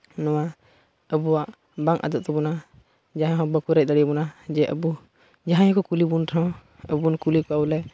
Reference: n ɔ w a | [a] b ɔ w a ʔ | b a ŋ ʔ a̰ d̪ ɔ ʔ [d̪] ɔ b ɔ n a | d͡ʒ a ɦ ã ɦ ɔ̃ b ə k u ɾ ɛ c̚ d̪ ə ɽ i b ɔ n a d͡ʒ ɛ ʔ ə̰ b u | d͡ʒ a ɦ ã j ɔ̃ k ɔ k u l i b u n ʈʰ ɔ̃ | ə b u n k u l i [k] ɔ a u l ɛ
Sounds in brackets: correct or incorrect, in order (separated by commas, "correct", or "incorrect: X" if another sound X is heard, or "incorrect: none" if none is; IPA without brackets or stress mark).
incorrect: ə, incorrect: t̪, correct